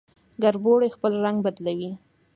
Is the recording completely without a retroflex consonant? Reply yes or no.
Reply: no